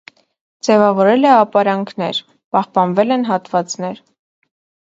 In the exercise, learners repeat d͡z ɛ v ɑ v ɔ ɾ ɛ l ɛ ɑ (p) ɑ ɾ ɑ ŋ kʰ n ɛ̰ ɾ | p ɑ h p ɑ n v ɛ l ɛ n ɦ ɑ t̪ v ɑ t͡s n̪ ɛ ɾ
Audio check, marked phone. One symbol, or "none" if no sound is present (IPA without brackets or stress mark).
p